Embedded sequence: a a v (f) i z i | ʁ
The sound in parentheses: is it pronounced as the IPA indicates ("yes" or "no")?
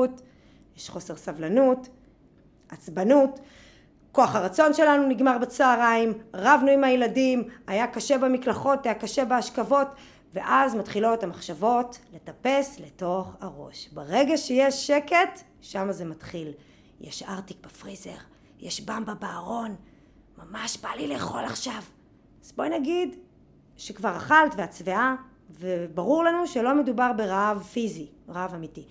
yes